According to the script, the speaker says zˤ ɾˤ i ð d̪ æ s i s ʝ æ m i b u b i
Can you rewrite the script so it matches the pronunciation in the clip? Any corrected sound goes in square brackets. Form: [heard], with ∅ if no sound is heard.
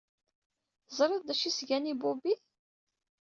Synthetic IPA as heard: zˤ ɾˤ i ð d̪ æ [ʃ] i s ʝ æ [n] i b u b i